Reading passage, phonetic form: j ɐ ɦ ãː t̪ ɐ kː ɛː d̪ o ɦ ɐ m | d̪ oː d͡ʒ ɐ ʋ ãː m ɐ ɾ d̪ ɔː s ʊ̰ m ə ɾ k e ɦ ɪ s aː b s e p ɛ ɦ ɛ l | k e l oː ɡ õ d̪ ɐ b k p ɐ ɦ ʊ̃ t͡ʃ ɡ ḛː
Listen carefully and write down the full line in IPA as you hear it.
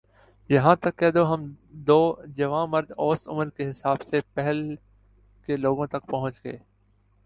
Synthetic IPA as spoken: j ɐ ɦ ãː t̪ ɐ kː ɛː d̪ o ɦ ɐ m | d̪ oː d͡ʒ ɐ ʋ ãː m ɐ ɾ d̪ ɔː s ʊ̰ m ə ɾ k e ɦ ɪ s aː b s e p ɛ ɦ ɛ l | k e l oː ɡ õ t̪ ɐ k p ɐ ɦ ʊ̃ t͡ʃ ɡ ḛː